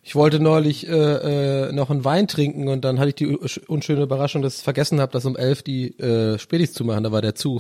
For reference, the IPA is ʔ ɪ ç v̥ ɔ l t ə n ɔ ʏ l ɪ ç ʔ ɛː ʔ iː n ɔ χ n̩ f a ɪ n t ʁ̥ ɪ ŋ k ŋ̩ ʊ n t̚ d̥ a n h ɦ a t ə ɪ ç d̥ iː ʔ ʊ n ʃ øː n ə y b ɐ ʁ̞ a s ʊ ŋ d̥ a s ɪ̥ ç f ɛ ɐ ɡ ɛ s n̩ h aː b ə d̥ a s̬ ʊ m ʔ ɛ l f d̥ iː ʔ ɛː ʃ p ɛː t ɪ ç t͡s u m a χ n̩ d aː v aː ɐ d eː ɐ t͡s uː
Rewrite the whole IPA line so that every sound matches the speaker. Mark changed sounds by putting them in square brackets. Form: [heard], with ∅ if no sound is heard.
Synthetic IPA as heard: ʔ ɪ ç v̥ ɔ l t ə n ɔ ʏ l ɪ ç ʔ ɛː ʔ [ɛː] n ɔ χ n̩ [v] a ɪ n t ʁ̥ ɪ ŋ k ŋ̩ ʊ n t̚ d̥ a n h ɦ a t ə ɪ ç d̥ iː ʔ ʊ n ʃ øː n ə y b ɐ ʁ̞ a [ʃ] ʊ ŋ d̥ a s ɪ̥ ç f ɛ ɐ ɡ ɛ s n̩ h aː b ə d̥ a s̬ ʊ m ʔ ɛ l f d̥ iː ʔ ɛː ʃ p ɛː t ɪ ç t͡s u m a χ n̩ d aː v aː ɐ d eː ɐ t͡s uː